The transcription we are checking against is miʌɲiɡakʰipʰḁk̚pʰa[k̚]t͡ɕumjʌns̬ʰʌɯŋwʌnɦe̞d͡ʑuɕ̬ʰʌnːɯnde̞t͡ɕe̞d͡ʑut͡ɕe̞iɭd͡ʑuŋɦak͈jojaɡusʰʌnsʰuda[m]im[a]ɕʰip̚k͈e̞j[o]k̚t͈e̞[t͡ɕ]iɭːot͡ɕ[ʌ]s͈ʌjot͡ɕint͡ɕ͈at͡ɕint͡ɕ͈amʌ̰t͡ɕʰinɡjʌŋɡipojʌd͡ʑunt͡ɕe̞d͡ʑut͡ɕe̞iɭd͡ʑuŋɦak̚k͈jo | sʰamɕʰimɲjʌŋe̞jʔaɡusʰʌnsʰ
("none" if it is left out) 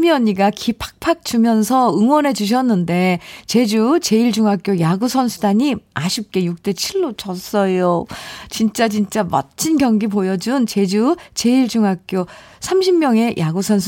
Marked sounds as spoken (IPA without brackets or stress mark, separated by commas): k̚, ɲ, a, u, t͡ɕʰ, ʌ